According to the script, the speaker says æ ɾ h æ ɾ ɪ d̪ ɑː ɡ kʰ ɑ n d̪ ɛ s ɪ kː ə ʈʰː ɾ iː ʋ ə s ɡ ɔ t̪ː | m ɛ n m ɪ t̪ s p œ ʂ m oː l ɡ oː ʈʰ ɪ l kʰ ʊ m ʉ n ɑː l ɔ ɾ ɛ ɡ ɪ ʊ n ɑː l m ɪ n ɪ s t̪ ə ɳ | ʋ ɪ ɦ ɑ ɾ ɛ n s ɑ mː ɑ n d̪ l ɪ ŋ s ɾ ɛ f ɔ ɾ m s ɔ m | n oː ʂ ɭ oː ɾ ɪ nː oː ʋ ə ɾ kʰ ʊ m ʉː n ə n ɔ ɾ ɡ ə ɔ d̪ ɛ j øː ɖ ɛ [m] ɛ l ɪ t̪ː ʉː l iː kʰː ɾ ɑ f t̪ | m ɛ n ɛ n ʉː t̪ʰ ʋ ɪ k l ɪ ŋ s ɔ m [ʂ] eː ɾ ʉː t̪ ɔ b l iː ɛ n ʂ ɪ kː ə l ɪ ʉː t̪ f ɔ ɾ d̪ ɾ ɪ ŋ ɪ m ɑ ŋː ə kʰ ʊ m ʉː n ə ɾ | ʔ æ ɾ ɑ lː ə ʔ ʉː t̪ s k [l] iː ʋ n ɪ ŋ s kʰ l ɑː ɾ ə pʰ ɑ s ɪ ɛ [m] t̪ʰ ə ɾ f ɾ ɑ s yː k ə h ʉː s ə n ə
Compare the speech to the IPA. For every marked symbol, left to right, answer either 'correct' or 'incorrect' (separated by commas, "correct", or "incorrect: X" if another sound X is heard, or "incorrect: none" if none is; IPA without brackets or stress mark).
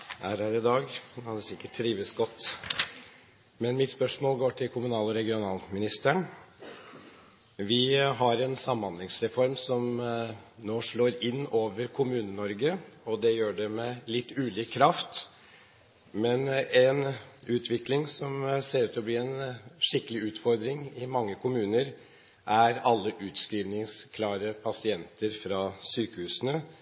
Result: correct, incorrect: s, incorrect: ɾ, incorrect: n